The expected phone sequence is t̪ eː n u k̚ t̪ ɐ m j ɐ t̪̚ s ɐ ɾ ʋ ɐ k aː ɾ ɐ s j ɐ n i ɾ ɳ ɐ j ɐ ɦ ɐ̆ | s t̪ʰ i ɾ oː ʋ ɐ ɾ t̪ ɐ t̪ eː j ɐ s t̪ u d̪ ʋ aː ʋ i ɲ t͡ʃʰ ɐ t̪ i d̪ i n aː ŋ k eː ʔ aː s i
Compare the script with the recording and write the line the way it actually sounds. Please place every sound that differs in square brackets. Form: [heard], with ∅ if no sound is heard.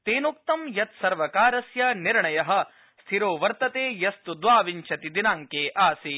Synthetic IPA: t̪ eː n u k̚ t̪ ɐ m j ɐ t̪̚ s ɐ ɾ ʋ ɐ k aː ɾ ɐ s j ɐ n i ɾ ɳ ɐ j ɐ ɦ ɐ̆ | s t̪ʰ i ɾ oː ʋ ɐ ɾ t̪ ɐ t̪ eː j ɐ s t̪ u d̪ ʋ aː ʋ i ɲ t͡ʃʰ ɐ t̪ i d̪ i n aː ŋ k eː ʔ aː s i